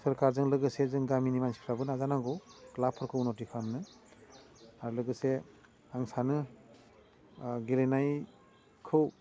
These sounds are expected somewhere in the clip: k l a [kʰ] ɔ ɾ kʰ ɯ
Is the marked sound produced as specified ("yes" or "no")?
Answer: no